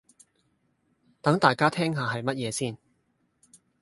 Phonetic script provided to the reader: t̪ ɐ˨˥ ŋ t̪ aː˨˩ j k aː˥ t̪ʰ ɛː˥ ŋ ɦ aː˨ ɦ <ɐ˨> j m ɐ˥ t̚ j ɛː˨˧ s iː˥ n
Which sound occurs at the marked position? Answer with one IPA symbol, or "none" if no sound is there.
ɐ˨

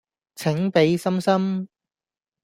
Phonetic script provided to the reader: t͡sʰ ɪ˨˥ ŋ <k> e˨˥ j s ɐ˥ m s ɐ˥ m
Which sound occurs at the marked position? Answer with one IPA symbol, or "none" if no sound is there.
p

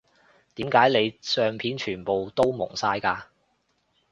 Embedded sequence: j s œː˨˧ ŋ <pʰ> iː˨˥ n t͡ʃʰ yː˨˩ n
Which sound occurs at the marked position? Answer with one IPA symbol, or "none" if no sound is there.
pʰ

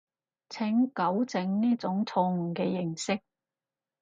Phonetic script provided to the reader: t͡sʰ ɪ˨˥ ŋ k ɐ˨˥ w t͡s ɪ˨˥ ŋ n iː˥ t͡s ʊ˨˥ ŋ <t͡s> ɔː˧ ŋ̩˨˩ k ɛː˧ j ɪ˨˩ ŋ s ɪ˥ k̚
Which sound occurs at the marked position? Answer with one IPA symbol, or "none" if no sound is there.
t͡sʰ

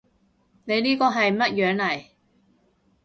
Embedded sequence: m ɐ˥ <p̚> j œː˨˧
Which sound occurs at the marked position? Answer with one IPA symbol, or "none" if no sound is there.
t̚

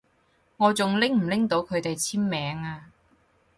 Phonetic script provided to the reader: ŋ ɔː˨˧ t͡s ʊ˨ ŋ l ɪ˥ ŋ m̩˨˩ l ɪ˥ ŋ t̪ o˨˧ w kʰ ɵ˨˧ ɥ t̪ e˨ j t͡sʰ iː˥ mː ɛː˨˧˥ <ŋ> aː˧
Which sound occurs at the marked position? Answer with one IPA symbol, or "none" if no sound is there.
ŋ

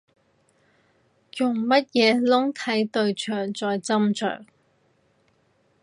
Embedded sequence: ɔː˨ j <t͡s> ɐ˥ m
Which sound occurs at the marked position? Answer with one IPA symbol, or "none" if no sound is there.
t͡s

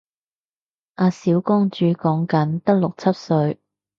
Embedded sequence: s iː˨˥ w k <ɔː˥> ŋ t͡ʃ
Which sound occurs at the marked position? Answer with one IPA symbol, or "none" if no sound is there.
ɔː˥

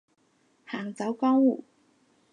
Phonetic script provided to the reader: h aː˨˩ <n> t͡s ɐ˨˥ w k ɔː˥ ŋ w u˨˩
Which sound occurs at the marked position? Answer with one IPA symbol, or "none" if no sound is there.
ŋ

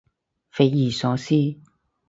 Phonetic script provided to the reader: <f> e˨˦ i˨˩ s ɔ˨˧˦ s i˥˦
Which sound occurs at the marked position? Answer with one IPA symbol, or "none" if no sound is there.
f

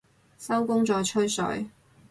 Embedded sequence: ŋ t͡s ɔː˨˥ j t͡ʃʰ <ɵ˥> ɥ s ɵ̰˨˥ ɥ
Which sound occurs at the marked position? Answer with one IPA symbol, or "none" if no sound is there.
ɵ˥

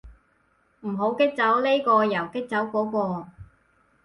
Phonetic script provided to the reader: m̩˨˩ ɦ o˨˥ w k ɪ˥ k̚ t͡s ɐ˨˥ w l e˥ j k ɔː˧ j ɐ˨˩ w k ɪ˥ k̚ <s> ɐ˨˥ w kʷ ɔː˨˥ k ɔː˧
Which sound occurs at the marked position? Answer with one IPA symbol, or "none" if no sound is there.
t͡s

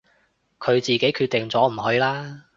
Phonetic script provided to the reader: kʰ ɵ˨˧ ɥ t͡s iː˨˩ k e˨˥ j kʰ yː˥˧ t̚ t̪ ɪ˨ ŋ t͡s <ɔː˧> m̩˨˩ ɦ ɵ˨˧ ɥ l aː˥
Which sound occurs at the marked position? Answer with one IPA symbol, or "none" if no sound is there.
ɔː˨˥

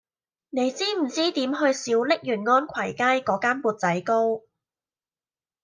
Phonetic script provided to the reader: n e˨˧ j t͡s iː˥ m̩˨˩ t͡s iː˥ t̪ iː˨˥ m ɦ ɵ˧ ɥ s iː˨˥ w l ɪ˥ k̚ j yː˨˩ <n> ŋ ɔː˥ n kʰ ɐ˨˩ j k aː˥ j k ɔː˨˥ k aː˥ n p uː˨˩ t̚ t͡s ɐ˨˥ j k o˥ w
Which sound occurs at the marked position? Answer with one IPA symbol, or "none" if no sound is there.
n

